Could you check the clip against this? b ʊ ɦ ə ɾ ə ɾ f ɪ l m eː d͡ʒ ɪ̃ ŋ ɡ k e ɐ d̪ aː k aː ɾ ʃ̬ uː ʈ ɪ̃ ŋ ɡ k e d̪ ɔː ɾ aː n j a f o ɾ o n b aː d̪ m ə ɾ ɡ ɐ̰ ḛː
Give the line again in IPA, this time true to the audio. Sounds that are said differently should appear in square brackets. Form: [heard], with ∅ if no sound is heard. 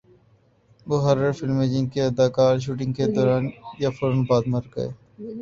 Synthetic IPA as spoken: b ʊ ɦ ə ɾ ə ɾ f ɪ l m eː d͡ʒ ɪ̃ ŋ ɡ k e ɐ d̪ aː k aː ɾ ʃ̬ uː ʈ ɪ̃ ŋ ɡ k e d̪ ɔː ɾ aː n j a f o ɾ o n b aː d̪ m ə ɾ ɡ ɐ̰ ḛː